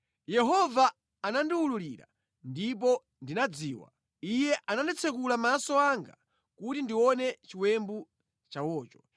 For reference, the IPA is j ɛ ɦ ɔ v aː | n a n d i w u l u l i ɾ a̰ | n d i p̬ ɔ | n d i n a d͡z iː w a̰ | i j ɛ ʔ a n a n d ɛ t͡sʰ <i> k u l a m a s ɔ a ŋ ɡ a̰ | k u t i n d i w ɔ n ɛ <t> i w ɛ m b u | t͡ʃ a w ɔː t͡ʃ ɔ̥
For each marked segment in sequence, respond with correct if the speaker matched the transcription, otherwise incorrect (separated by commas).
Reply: incorrect, incorrect